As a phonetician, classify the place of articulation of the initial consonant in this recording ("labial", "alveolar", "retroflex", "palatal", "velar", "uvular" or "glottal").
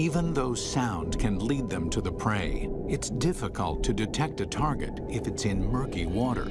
labial